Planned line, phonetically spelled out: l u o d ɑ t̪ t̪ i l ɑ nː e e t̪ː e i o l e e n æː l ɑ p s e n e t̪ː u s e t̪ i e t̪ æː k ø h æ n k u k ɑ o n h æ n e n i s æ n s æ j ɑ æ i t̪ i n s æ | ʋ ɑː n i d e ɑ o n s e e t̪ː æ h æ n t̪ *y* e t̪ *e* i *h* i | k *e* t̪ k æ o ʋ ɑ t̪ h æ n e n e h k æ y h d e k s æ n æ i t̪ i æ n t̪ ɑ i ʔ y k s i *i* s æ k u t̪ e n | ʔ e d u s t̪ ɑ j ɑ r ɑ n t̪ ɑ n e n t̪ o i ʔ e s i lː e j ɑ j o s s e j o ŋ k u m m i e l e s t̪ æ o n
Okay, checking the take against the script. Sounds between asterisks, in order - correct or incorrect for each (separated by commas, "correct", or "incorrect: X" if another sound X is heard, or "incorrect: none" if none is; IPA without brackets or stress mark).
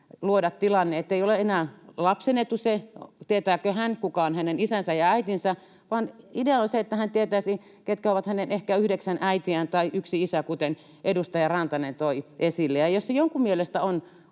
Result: incorrect: i, incorrect: æ, incorrect: s, correct, correct